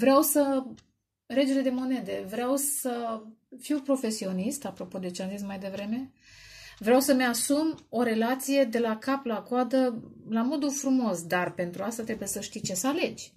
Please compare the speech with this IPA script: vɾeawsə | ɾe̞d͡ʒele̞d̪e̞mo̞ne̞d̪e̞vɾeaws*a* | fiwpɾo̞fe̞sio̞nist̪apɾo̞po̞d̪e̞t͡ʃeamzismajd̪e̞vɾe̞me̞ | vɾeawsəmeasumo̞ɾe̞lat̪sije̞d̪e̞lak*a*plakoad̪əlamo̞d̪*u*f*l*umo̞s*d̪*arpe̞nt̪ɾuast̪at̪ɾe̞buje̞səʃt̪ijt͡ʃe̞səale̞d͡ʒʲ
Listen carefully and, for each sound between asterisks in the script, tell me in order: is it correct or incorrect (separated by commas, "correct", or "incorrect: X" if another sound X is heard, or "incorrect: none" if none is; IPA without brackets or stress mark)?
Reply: incorrect: ə, correct, correct, incorrect: ɾ, correct